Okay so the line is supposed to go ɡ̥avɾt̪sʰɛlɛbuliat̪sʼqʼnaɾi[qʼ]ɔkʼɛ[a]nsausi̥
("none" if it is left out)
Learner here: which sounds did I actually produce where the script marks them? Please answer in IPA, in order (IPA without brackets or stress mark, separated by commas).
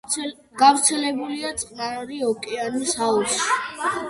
none, a